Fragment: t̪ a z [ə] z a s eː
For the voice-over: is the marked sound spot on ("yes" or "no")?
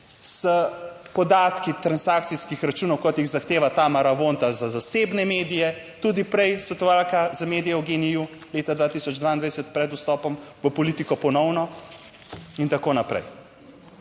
no